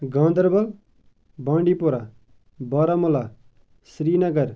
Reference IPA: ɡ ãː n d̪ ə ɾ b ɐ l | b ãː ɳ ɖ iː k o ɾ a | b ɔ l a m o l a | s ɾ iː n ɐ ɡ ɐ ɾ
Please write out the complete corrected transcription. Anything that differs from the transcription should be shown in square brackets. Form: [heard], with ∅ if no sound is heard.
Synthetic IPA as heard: ɡ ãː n d̪ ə ɾ b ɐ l | b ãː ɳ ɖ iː [p] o ɾ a | b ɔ [ɾ] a m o l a | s ɾ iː n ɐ ɡ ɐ ɾ